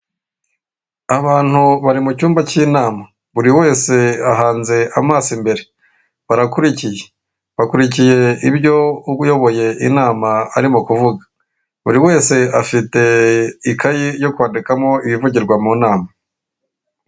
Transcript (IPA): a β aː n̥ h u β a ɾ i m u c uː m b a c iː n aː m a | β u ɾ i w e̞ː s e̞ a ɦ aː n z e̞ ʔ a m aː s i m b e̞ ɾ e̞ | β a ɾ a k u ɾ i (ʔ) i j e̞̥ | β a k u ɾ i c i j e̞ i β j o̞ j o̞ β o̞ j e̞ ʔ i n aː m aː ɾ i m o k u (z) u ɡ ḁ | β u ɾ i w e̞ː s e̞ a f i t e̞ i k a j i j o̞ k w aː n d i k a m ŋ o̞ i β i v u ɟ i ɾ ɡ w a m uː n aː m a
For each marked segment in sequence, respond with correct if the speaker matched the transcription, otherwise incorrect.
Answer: incorrect: c, incorrect: v

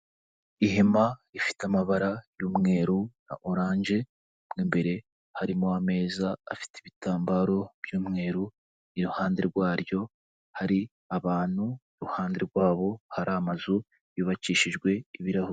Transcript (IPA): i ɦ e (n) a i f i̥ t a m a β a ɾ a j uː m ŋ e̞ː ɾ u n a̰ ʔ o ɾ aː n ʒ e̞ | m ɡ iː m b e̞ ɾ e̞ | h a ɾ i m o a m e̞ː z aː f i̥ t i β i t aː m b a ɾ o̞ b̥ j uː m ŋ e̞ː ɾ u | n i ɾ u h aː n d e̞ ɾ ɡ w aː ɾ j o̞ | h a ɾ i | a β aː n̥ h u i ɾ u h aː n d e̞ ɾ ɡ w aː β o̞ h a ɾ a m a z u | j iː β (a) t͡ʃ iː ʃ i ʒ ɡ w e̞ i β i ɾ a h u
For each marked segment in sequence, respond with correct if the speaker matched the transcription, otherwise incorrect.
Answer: incorrect: m, correct

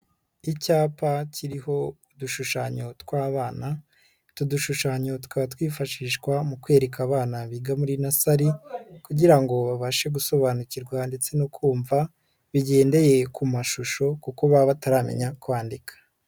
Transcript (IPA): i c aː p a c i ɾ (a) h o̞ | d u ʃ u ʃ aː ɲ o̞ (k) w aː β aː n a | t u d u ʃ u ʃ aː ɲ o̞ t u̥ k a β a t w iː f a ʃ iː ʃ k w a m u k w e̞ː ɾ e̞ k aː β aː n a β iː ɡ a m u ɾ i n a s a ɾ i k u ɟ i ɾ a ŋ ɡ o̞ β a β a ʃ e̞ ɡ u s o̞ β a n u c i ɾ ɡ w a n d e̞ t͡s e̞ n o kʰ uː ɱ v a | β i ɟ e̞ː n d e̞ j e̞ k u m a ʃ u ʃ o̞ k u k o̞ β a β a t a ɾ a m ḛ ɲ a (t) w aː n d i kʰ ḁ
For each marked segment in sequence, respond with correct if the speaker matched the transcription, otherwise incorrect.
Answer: incorrect: i, incorrect: t, incorrect: k

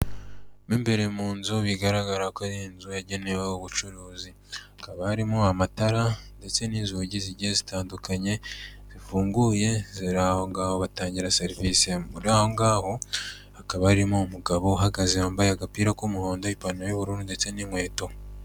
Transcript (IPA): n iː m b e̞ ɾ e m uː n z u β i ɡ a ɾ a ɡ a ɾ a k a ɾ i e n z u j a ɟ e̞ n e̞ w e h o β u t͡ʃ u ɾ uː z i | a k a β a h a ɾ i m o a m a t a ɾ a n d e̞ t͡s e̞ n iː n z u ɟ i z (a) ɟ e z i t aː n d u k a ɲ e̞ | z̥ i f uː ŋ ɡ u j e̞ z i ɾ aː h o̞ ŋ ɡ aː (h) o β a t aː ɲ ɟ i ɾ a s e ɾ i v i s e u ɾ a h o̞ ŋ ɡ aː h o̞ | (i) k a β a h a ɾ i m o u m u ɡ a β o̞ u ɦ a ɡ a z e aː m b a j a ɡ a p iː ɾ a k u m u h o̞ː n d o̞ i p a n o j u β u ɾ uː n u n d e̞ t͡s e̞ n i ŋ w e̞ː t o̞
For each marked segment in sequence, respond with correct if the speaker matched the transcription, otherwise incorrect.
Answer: incorrect: i, correct, incorrect: a

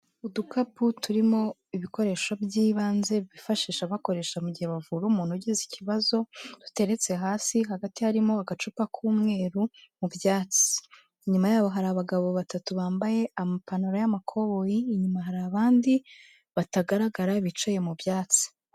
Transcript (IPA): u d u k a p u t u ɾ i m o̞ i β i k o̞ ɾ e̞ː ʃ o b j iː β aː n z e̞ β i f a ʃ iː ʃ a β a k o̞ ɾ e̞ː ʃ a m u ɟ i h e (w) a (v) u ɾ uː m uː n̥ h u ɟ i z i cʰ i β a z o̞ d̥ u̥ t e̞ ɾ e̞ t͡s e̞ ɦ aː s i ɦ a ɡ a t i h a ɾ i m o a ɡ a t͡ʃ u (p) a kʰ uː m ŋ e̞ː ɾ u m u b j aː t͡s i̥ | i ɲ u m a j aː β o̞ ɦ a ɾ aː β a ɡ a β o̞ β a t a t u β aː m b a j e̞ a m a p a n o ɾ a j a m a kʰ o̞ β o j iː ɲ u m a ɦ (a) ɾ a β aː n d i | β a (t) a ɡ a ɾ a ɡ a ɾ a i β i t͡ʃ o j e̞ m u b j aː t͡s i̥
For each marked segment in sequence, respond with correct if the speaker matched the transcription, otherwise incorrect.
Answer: incorrect: β, correct, correct, correct, correct

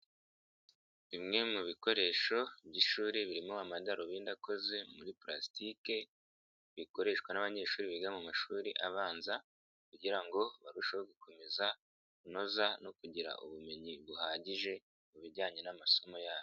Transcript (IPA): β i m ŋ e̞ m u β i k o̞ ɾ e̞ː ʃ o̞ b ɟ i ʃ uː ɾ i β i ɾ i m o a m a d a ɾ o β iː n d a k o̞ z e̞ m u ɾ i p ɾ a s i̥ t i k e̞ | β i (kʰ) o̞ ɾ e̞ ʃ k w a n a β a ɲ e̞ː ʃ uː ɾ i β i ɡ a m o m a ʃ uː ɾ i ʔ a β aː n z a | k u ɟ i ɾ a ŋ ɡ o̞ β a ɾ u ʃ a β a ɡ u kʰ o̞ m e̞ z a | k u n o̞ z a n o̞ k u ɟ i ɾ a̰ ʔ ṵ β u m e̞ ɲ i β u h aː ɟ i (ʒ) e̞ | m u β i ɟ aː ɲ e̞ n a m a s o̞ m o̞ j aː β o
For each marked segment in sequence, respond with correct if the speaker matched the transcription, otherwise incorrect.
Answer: incorrect: k, correct

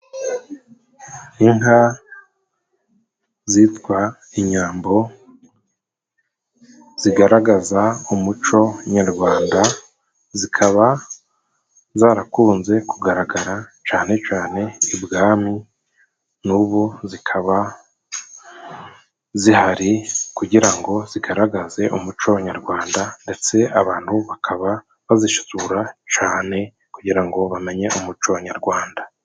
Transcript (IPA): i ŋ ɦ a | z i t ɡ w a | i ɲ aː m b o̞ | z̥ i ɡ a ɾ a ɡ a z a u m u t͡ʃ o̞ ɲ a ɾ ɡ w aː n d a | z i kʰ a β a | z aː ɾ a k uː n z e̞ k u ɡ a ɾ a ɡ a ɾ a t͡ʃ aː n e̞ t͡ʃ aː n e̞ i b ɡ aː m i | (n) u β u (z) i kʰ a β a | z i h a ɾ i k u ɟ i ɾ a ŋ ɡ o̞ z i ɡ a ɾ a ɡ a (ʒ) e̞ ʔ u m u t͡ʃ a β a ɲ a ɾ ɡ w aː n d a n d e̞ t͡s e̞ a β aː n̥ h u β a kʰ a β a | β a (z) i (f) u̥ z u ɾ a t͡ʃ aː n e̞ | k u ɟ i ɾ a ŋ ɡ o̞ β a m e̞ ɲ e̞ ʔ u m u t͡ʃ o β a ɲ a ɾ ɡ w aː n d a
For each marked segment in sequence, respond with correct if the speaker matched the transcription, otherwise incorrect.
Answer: correct, correct, incorrect: z, correct, incorrect: ʃ

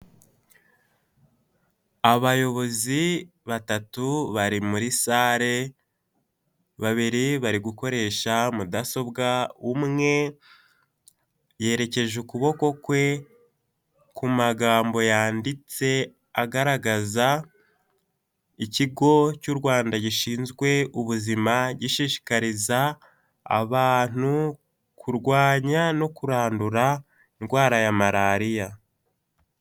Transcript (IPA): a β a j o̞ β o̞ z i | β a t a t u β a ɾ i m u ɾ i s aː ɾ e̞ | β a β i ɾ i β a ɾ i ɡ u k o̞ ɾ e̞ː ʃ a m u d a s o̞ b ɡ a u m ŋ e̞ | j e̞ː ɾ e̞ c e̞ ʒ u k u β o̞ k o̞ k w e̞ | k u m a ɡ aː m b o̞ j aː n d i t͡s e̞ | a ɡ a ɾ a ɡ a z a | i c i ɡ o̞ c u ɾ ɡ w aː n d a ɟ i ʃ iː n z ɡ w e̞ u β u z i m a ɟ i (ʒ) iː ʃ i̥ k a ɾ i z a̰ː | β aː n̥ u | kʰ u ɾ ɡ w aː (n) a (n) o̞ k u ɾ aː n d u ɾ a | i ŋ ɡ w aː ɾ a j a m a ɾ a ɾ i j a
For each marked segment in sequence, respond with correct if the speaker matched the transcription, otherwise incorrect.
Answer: incorrect: ʃ, incorrect: ɲ, correct

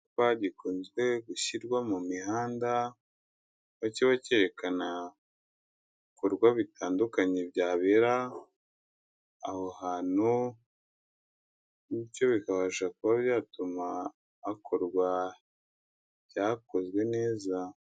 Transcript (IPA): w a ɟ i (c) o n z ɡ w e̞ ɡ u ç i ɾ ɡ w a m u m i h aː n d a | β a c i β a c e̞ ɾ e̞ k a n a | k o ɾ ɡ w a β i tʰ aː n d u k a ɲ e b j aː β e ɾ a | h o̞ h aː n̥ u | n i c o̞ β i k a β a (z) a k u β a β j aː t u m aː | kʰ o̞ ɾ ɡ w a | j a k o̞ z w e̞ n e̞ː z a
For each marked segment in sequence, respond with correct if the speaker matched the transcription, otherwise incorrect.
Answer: incorrect: k, incorrect: ʒ

